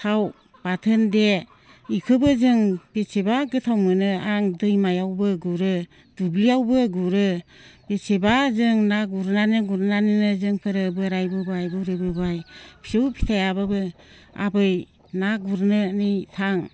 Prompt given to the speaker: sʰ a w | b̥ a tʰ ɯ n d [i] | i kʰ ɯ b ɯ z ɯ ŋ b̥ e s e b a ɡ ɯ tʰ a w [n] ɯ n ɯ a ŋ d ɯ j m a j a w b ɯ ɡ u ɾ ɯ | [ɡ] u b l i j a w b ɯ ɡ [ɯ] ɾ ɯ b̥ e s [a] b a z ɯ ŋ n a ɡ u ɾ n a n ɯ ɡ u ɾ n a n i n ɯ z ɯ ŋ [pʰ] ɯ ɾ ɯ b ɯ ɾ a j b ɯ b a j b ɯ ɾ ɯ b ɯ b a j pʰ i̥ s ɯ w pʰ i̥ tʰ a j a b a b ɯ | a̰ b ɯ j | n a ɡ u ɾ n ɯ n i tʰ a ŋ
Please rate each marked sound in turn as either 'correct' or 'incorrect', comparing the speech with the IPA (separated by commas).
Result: incorrect, incorrect, incorrect, incorrect, incorrect, correct